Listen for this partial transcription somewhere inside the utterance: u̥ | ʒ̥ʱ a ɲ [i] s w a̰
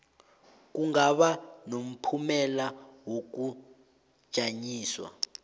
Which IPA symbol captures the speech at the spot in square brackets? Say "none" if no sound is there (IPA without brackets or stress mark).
iː